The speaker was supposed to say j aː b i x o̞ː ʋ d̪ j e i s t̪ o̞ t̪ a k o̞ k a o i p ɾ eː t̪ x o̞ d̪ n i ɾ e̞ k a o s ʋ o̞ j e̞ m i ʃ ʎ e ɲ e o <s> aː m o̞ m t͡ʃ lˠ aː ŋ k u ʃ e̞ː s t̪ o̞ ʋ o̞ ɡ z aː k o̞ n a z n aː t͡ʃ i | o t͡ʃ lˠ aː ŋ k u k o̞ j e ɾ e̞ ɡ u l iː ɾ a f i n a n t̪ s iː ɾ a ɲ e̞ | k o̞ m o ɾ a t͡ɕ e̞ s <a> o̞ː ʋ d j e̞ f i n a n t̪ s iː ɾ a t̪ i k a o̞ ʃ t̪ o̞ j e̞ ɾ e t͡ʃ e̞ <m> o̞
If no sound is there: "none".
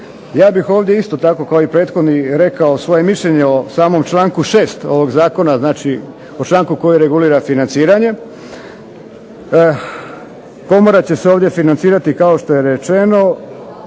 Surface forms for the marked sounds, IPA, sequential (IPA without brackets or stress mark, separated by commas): s, e, n